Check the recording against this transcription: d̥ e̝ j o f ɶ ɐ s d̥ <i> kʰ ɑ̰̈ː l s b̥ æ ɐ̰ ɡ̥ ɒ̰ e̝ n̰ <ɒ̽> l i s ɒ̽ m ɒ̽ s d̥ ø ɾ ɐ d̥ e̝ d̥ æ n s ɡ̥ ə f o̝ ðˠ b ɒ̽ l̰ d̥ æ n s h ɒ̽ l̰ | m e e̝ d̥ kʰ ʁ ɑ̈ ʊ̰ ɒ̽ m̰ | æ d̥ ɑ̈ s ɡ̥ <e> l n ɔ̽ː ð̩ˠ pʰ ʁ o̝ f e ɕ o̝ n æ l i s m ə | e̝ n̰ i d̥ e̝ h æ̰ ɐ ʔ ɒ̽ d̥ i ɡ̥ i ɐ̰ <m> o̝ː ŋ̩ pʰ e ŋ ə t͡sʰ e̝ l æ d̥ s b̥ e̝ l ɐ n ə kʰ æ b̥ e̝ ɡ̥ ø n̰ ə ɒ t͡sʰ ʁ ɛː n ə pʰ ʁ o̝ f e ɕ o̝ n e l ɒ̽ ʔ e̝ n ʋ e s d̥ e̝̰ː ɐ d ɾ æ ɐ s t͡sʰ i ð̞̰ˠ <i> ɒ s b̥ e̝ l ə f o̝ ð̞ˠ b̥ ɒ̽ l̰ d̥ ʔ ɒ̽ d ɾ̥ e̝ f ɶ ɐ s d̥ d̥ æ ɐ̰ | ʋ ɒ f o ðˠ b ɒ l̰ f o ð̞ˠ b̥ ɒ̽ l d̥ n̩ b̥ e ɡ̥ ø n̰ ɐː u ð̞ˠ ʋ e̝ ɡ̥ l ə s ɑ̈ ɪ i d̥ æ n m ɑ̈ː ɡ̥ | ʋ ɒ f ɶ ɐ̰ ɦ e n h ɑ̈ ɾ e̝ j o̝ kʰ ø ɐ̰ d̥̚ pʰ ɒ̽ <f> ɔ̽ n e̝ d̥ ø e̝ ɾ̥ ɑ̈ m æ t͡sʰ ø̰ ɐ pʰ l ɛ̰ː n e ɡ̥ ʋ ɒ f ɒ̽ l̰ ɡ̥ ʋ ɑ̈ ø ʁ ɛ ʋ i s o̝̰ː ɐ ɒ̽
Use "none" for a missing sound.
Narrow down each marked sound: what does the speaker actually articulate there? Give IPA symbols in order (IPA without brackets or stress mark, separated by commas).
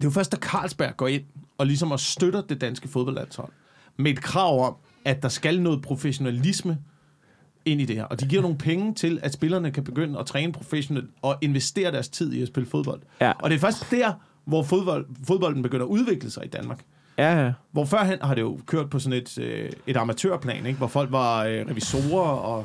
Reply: æ, ɒ̽, æ, n, i, s